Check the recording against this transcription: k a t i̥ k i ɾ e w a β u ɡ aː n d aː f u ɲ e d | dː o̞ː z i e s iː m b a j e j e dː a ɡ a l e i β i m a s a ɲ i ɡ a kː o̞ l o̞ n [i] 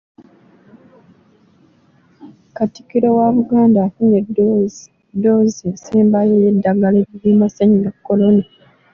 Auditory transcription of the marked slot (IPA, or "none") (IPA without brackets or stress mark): a